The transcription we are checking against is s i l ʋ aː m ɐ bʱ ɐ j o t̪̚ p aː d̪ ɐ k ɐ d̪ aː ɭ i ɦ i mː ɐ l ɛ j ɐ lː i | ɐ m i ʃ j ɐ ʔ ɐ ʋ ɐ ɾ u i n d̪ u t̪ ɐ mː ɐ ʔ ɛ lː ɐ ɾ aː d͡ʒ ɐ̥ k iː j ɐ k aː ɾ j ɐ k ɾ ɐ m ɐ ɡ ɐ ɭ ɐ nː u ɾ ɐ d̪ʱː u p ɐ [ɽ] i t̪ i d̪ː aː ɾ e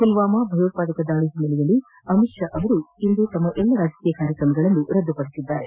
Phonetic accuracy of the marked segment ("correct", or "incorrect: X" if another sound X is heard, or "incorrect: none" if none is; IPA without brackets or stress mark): correct